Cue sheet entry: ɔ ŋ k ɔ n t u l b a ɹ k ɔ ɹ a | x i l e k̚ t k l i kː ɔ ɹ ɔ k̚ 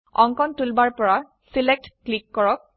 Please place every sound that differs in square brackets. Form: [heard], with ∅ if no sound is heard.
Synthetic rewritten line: ɔ ŋ k ɔ n t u l b a ɹ [p] ɔ ɹ a | [s] i l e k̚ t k l i kː ɔ ɹ ɔ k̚